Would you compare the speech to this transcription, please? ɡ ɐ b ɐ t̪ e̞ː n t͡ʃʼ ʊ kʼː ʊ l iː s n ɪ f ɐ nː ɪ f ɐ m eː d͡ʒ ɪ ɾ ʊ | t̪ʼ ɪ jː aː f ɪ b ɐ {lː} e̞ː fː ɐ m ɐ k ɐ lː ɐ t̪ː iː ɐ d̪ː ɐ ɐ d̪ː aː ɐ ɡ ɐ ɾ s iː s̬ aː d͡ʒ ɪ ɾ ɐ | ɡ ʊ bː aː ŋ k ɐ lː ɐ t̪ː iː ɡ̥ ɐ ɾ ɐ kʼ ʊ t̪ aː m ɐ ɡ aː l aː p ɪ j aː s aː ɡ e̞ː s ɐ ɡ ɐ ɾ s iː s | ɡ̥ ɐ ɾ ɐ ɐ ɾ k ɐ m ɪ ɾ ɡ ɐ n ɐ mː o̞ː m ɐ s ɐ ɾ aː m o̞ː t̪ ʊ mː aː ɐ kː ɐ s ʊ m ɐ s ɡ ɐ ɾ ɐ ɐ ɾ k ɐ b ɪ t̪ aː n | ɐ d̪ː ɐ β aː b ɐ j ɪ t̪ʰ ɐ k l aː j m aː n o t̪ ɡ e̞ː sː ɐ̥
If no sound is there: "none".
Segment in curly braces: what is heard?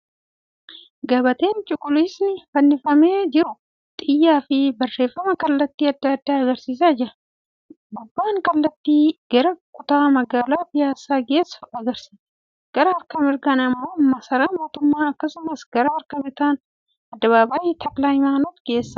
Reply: rː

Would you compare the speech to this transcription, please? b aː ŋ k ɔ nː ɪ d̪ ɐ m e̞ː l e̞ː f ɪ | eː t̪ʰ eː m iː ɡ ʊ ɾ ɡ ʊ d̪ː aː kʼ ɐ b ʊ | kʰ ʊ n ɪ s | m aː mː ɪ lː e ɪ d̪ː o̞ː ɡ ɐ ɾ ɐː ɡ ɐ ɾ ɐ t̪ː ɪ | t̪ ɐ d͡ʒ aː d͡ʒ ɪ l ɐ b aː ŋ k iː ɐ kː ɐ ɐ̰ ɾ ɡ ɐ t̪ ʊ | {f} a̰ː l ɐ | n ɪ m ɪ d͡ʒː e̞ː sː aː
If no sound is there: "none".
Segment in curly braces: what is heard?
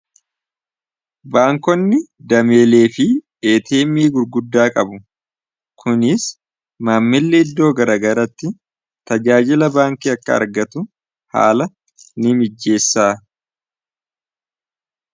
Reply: h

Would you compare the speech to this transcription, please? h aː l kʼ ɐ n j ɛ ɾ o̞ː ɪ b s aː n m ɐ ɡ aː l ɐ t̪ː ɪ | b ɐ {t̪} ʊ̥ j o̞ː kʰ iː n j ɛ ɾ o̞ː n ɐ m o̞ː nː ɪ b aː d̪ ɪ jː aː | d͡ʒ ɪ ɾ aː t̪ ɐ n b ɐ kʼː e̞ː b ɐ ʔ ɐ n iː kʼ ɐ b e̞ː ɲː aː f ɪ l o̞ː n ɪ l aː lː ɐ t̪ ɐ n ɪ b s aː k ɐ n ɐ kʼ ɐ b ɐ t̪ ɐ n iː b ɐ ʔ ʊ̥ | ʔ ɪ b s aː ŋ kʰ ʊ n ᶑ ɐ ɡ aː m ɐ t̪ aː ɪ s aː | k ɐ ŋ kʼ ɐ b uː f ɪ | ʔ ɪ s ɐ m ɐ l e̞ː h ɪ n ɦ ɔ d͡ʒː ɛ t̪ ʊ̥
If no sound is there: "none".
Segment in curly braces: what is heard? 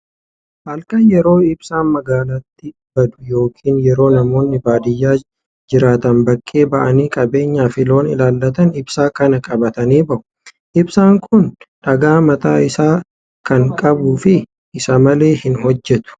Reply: d̪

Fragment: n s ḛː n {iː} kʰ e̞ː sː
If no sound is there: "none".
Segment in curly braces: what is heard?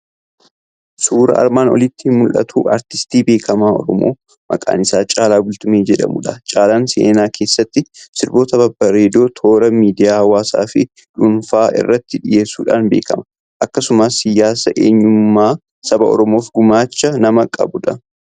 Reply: aː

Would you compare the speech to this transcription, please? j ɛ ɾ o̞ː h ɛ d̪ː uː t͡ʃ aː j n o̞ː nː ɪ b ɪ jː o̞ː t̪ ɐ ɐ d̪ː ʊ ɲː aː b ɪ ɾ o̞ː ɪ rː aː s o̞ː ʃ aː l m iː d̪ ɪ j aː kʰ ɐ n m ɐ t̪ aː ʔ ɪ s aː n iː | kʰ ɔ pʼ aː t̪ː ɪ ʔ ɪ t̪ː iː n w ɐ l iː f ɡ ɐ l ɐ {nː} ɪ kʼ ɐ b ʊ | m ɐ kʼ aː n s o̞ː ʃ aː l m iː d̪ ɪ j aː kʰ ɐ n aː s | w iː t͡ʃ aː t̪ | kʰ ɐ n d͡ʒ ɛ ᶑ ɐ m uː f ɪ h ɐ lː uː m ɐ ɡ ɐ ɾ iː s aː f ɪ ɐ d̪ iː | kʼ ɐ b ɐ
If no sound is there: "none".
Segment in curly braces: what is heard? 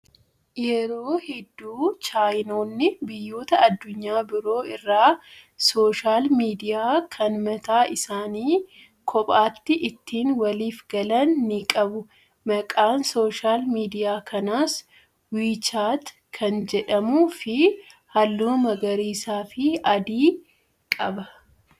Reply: nː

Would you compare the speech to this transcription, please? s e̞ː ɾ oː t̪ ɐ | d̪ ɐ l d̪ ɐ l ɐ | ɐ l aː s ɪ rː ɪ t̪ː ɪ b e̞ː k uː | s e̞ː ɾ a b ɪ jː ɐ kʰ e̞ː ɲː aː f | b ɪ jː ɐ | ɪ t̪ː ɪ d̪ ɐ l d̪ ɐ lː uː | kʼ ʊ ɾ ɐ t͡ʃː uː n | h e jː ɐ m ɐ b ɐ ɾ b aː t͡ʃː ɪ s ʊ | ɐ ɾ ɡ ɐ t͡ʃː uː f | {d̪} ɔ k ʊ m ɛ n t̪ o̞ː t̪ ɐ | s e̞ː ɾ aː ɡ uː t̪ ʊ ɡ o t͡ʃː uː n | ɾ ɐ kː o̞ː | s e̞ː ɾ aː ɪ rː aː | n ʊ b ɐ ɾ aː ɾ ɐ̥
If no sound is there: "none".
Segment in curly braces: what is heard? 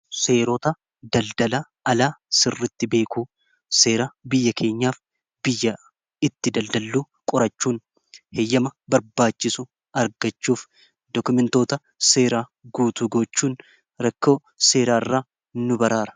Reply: d̪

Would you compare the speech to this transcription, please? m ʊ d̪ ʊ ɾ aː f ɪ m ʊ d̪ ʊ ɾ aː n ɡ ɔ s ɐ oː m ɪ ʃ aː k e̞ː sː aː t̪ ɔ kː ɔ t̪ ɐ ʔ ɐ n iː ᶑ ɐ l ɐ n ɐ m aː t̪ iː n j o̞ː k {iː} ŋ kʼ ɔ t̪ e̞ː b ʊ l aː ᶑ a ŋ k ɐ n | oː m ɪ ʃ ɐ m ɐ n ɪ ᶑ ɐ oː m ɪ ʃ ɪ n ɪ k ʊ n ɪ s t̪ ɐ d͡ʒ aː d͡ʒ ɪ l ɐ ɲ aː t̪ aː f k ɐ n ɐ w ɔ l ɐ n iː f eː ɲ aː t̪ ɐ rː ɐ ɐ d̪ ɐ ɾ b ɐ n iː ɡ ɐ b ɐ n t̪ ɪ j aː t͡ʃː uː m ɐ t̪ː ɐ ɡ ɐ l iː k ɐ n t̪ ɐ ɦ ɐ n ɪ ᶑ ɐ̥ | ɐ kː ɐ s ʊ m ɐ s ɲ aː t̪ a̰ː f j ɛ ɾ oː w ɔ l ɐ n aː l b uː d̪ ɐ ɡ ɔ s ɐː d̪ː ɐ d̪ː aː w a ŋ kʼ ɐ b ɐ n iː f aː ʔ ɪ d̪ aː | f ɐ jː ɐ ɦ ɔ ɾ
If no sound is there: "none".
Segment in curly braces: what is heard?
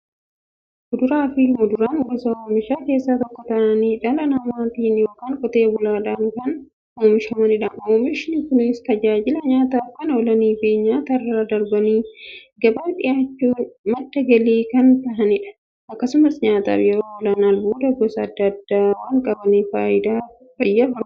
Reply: aː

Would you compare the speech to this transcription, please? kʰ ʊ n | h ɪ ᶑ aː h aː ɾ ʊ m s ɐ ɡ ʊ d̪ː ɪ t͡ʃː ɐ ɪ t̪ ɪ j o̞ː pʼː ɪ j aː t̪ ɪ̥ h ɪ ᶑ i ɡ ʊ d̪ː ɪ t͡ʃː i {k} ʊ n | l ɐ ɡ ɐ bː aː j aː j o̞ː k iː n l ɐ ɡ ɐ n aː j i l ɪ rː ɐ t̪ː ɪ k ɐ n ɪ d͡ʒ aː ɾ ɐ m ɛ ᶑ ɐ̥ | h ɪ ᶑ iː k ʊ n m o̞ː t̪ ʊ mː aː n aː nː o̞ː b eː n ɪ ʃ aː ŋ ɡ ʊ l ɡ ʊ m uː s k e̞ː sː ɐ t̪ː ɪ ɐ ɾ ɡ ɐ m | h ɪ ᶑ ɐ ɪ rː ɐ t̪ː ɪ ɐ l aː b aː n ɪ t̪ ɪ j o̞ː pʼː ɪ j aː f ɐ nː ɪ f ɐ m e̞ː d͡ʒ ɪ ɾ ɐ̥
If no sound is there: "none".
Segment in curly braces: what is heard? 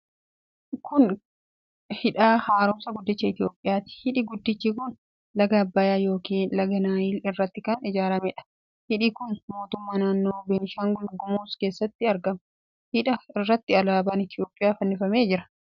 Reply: k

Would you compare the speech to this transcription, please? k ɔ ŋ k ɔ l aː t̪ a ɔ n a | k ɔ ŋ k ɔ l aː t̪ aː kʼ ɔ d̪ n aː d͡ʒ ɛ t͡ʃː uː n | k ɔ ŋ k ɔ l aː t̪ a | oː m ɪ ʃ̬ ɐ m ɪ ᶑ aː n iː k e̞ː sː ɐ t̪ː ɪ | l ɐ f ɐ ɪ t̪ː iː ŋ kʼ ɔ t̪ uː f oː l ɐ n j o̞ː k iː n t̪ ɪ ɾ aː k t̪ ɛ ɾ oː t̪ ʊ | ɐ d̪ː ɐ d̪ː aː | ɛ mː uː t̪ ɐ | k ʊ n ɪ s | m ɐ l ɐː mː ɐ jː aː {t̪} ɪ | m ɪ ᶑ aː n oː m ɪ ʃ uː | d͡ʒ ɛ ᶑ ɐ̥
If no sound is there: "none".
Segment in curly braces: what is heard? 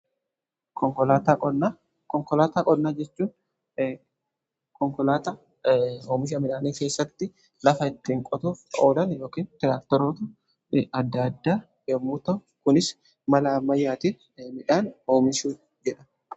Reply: t̪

